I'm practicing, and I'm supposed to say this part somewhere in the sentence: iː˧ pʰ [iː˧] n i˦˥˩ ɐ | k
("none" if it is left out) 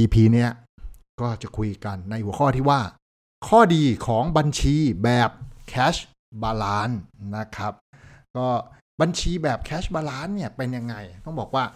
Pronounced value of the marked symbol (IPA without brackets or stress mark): iː˧